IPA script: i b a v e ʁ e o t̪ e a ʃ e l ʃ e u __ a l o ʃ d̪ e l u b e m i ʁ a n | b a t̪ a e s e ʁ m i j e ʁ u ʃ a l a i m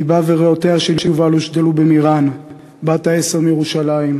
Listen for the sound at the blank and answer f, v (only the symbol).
v